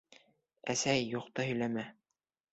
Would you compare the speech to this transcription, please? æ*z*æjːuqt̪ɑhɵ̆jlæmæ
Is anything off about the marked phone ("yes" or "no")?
yes